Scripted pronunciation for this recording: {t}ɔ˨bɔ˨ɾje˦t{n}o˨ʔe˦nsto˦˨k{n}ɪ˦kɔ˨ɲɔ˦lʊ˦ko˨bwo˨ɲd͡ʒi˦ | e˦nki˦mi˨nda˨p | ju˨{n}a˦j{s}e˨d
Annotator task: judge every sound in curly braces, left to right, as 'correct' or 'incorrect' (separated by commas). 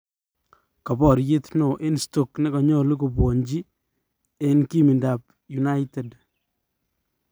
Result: incorrect, correct, correct, correct, incorrect